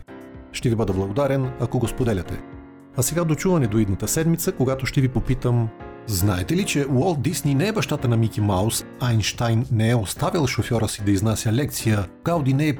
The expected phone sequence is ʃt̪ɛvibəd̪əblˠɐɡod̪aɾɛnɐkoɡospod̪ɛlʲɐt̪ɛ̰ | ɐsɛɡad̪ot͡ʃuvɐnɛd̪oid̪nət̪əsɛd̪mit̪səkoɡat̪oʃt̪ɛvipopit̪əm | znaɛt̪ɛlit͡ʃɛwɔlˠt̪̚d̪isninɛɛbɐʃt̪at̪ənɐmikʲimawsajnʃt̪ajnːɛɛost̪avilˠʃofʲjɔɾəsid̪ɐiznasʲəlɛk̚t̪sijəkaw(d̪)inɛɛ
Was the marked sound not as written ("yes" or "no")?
no